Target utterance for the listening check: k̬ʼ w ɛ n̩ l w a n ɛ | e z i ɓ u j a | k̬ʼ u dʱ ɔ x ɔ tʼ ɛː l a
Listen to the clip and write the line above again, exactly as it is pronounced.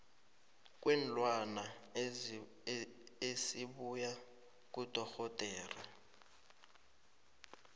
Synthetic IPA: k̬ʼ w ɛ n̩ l w a n a | e s i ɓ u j a | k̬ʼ u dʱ ɔ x ɔ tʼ ɛː r a